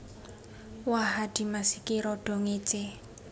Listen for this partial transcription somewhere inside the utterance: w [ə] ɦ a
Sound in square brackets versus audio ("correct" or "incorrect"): incorrect